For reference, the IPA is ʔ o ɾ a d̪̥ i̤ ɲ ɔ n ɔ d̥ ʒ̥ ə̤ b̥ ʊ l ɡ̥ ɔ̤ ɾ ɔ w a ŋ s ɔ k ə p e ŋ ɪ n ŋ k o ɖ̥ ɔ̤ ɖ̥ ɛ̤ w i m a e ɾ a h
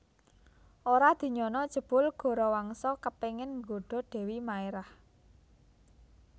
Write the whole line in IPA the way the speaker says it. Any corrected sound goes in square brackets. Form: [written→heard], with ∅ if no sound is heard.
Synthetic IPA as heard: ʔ o ɾ a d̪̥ i̤ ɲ ɔ n ɔ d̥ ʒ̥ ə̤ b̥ ʊ l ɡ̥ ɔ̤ ɾ ɔ w a ŋ s ɔ k ə p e ŋ ɪ n ŋ [k→ɡ] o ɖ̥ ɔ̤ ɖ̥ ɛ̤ w i m a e ɾ a h